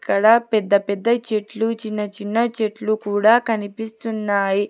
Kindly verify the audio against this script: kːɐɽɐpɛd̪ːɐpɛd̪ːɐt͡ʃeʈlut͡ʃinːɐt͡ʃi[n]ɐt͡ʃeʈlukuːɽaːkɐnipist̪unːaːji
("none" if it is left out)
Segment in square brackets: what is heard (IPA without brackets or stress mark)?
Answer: nː